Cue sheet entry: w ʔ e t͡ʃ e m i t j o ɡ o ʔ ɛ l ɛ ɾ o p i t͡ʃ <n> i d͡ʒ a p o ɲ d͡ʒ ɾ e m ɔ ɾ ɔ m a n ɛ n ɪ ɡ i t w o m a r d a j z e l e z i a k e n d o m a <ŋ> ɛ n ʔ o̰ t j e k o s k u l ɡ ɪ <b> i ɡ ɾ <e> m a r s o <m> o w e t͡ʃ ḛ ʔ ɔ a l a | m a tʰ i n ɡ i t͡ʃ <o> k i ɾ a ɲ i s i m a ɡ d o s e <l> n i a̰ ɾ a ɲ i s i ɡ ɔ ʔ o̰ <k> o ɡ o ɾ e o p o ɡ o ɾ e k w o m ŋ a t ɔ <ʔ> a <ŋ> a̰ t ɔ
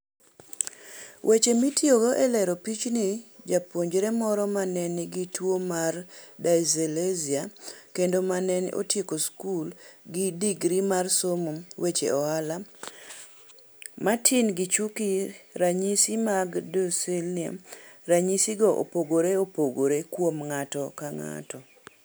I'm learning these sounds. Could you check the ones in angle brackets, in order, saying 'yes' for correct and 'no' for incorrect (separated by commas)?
yes, no, no, no, yes, no, yes, no, no, yes